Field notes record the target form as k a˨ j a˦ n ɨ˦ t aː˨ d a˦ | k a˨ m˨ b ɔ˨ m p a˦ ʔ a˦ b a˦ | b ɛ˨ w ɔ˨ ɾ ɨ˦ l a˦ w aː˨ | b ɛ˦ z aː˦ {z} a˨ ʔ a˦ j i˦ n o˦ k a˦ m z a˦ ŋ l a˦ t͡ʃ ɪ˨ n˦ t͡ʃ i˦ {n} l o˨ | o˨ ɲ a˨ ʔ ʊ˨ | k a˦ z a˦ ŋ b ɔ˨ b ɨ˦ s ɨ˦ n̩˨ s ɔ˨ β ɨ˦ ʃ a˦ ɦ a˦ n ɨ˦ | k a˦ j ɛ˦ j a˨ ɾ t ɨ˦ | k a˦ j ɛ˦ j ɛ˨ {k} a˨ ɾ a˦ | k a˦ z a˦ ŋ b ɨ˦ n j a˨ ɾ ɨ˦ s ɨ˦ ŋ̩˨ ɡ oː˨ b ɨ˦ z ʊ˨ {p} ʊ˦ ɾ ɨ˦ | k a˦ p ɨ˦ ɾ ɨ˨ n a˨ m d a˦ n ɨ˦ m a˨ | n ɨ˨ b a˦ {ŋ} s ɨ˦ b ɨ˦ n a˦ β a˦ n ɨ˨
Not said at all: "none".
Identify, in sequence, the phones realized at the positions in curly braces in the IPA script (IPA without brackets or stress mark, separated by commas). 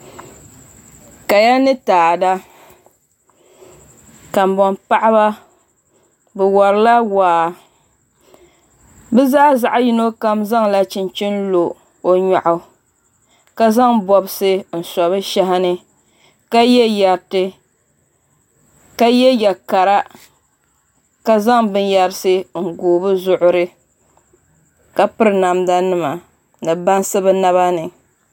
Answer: z, n, k, ʔ, n